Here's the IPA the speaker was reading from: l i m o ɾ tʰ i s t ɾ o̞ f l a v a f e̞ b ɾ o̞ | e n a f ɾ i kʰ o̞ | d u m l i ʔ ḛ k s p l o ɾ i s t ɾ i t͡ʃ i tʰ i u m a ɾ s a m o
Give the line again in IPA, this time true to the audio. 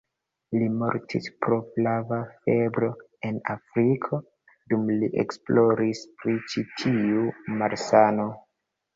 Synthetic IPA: l i m o ɾ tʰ i s p ɾ o̞ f l a v a f e̞ b ɾ o̞ | e n a f ɾ i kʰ o̞ | d u m l i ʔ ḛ k s p l o ɾ i s p ɾ i t͡ʃ i tʰ i u m a ɾ s a n o